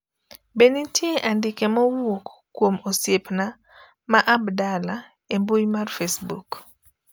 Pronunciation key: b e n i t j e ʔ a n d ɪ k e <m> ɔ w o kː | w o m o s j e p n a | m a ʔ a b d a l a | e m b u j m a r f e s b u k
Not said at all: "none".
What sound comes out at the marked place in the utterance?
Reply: m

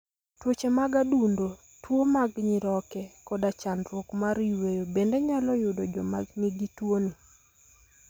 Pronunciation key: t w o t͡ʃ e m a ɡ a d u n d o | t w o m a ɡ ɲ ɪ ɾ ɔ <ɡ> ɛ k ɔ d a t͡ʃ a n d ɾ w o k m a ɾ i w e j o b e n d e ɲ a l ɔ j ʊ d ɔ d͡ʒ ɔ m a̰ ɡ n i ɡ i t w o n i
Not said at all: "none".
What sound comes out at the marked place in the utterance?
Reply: k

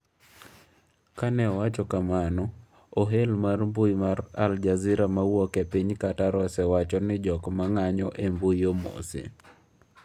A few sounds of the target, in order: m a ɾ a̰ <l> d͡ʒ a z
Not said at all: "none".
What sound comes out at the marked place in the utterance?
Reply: l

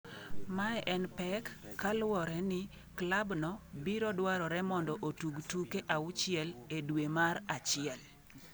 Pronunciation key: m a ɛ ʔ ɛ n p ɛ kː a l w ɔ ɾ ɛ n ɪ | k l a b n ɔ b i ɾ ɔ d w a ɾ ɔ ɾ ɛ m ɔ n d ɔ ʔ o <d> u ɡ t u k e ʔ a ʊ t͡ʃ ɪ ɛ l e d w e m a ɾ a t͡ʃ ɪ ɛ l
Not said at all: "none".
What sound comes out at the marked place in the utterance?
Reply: t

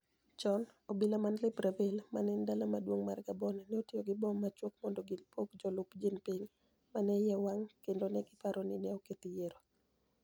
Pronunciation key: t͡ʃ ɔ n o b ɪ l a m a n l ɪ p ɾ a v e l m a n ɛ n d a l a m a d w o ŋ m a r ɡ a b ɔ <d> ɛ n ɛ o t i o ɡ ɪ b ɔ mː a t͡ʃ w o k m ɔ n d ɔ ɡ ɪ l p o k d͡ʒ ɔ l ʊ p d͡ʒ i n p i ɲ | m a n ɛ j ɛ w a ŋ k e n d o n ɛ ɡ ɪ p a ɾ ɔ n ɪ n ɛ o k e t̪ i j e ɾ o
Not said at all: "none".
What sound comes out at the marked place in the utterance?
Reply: n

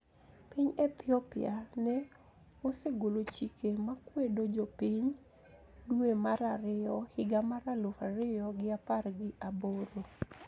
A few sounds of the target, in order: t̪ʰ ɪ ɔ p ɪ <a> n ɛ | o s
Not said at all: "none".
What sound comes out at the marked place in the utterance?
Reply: a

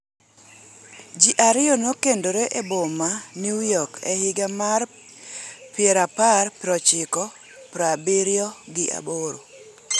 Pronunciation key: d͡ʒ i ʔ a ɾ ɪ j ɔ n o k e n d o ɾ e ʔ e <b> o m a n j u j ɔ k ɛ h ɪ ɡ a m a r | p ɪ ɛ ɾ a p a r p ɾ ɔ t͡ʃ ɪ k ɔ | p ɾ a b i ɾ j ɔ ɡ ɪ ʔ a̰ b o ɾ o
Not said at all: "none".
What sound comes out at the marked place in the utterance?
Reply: b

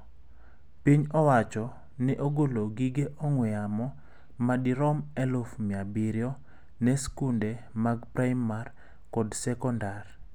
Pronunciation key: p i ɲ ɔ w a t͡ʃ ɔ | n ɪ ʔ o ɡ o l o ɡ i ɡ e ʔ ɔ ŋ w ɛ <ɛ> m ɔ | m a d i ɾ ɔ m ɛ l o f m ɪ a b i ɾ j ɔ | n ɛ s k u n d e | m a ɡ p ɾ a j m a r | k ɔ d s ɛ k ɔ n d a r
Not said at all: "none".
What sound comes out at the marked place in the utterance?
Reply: a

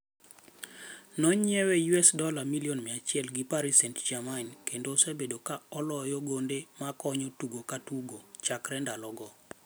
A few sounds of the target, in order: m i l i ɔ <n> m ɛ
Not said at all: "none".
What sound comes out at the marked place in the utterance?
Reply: n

